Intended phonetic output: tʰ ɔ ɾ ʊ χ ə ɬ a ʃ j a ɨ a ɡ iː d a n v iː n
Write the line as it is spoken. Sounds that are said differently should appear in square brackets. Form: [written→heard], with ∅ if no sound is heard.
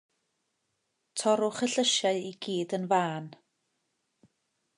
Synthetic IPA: tʰ ɔ ɾ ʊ χ ə ɬ [a→ə] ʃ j a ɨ [a→i] ɡ iː d [a→ə] n v [iː→aː] n